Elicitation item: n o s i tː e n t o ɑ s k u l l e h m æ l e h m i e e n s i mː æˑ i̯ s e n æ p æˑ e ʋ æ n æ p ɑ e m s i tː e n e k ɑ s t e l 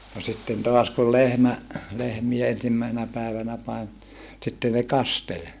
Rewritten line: n o s i tː e n t o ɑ s k u l l e h m æ l e h m i e e n s i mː æˑ i̯ s e n æ p æˑ e ʋ æ n æ p ɑ e m s i tː e n e k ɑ s t e l